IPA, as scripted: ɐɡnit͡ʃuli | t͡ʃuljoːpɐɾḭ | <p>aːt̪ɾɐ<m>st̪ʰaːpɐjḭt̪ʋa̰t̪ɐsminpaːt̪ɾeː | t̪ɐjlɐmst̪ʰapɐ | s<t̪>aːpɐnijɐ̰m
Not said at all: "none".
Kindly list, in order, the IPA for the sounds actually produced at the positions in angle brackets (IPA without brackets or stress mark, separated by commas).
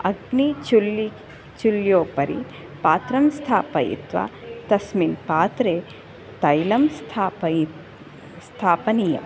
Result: p, m, t̪ʰ